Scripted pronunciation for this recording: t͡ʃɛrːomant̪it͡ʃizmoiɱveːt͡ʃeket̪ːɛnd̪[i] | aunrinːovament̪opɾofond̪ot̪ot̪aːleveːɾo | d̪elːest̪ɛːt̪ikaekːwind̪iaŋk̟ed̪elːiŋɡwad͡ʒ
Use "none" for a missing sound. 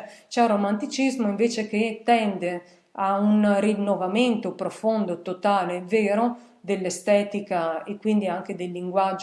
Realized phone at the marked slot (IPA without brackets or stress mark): e